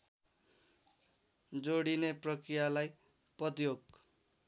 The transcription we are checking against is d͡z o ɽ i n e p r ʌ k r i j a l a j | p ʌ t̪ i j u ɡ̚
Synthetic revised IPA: d͡z o ɽ i n e p r ʌ k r i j a l a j | p ʌ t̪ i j o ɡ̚